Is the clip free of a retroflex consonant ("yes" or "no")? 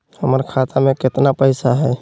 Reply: yes